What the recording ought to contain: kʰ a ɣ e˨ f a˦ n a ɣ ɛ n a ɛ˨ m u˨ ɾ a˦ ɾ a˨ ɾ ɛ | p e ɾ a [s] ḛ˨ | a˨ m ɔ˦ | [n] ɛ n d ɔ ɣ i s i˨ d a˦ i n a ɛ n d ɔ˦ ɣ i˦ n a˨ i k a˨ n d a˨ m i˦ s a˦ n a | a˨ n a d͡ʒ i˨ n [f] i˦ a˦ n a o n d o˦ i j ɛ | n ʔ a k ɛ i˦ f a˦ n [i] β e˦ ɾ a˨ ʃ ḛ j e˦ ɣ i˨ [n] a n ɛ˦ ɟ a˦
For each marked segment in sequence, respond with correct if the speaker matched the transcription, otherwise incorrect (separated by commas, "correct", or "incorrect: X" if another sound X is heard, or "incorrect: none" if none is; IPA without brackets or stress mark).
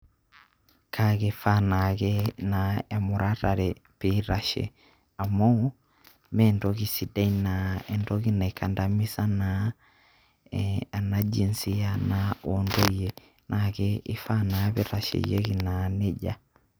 incorrect: ʃ, incorrect: m, incorrect: s, incorrect: a, correct